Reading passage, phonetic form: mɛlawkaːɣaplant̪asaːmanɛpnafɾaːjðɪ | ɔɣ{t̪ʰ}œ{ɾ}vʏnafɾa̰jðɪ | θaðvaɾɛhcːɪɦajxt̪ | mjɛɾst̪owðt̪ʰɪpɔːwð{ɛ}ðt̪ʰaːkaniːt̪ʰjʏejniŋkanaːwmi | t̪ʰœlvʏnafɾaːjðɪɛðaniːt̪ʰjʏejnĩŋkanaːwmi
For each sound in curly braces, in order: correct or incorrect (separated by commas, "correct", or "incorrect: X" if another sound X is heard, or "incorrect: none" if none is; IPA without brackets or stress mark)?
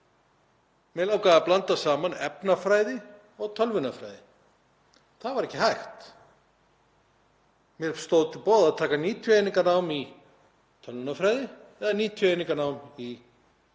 correct, incorrect: l, incorrect: a